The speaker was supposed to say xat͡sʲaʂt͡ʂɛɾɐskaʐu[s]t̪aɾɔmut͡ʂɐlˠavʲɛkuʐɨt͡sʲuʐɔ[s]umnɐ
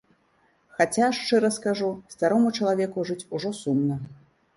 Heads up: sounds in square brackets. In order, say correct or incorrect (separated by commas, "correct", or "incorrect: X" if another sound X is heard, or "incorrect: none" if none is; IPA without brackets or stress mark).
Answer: correct, correct